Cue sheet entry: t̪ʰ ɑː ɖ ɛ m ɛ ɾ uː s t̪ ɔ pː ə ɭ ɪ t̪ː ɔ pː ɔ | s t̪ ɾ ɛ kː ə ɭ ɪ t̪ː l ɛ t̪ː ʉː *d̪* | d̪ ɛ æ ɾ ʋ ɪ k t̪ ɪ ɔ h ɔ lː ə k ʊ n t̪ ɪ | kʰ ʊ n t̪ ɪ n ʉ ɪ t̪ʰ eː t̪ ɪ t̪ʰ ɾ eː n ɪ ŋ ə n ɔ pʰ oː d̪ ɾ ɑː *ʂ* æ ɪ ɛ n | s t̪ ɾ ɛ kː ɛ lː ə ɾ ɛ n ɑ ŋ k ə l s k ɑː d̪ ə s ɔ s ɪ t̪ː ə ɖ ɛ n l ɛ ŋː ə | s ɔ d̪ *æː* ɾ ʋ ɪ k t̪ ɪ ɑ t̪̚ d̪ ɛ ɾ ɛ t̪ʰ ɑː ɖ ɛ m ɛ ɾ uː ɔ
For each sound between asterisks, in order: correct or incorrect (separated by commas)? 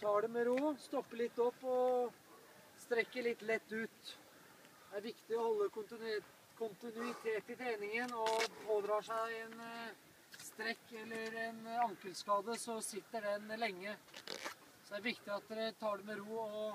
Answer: incorrect, correct, incorrect